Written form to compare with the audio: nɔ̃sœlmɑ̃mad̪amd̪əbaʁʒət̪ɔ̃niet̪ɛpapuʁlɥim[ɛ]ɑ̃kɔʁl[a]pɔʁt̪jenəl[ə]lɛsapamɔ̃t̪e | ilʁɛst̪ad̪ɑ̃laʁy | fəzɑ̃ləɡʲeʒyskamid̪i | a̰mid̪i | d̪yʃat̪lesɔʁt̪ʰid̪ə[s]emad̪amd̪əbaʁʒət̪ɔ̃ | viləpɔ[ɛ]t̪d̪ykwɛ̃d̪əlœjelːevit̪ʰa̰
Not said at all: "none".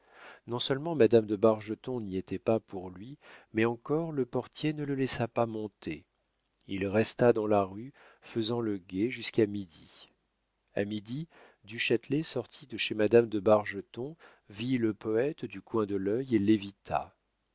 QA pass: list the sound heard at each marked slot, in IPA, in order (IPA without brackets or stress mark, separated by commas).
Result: ɛ, ə, ə, ʃ, ɛ